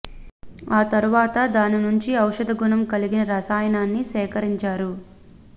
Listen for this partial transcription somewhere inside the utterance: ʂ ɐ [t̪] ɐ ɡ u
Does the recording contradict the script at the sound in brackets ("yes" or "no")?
yes